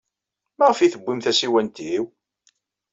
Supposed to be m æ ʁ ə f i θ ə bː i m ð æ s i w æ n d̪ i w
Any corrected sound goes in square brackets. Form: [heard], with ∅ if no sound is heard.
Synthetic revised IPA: m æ ʁ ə f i θ ə bː i m [θ] æ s i w æ n [t̪] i w